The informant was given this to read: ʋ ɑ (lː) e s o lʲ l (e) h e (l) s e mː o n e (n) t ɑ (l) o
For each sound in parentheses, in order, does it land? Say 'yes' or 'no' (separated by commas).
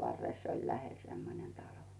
no, no, yes, yes, yes